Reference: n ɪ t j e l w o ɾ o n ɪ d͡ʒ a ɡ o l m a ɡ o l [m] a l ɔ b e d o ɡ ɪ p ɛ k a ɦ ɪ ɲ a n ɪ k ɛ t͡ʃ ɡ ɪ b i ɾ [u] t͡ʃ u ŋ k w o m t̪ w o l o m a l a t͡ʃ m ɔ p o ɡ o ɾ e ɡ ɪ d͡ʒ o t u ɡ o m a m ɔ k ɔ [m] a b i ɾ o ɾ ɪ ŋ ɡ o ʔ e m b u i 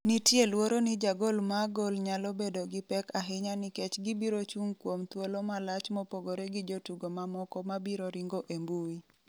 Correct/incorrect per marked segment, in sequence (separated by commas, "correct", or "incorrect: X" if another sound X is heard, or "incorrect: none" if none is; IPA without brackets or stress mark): incorrect: ɲ, incorrect: o, correct